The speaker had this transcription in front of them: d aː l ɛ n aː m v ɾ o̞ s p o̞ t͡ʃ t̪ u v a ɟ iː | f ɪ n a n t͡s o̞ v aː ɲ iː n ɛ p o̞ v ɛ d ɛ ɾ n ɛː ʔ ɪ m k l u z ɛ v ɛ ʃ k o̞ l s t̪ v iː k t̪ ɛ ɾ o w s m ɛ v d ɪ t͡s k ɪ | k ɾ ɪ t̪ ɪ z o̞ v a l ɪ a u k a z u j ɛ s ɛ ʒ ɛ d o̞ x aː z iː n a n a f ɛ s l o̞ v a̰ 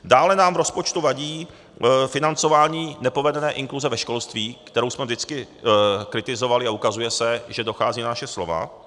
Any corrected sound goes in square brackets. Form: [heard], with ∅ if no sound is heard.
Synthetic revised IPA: d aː l ɛ n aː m v ɾ o̞ s p o̞ t͡ʃ t̪ u v a ɟ iː | f ɪ n a n t͡s o̞ v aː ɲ iː n ɛ p o̞ v ɛ d ɛ [∅] n ɛː ʔ ɪ [ŋ] k l u z ɛ v ɛ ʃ k o̞ l s t̪ v iː k t̪ ɛ ɾ o w s m ɛ v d ɪ t͡s k ɪ | k ɾ ɪ t̪ ɪ z o̞ v a l ɪ a u k a z u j ɛ s ɛ ʒ ɛ d o̞ x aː z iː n a n a [ʃ] ɛ s l o̞ v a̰